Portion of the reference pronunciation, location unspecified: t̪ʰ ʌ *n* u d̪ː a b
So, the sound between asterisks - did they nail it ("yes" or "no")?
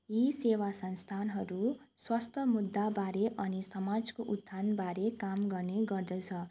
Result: no